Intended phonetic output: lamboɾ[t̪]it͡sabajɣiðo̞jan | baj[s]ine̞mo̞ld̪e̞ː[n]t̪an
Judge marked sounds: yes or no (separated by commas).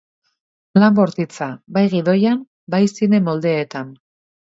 yes, yes, no